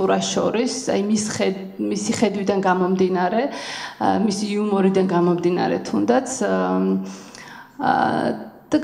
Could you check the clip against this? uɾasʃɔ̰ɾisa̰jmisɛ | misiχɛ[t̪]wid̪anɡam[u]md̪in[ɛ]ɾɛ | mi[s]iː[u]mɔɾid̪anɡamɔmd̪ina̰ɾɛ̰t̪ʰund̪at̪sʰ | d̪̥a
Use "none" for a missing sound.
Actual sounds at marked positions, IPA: d̪, ɔ, a, s, u

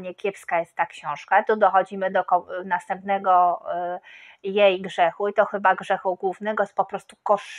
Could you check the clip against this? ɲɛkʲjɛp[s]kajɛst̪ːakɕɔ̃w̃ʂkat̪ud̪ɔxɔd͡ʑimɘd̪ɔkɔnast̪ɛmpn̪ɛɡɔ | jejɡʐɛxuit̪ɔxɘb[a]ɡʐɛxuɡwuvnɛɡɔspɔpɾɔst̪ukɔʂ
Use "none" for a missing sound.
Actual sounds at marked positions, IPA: s, a

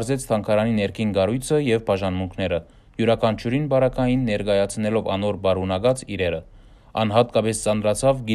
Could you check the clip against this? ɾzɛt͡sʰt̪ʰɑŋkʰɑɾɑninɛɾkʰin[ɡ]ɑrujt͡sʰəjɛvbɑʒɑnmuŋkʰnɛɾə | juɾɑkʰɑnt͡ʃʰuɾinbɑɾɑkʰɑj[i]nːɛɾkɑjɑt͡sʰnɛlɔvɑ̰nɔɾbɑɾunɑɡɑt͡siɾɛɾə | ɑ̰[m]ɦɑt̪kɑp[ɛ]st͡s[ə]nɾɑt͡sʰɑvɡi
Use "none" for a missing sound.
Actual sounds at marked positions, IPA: ɡ, i, n, ɛ, ɑ

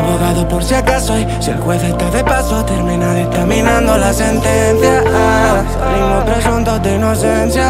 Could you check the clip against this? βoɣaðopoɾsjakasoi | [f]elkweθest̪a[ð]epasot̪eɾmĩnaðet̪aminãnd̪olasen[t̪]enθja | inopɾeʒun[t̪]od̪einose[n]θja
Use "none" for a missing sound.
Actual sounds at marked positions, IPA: s, ð, t̪, t̪, n

